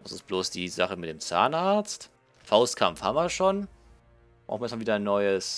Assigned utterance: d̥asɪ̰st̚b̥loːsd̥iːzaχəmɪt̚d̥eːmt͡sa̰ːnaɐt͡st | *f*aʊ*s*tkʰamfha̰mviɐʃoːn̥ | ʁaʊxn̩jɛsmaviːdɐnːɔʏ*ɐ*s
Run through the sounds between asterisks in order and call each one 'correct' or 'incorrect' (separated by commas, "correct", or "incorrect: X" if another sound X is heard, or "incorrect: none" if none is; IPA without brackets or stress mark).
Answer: correct, correct, incorrect: ə